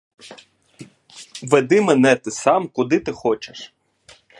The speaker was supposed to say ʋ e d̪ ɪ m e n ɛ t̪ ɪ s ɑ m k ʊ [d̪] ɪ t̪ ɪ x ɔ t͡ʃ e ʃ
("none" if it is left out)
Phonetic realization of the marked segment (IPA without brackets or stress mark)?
d̪